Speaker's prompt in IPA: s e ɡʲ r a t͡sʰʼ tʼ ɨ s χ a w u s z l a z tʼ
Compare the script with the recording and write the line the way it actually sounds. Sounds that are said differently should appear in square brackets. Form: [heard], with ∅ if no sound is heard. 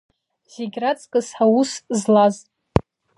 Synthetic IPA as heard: [z] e ɡʲ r a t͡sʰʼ [kʼ] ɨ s [ħ] a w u s z l a z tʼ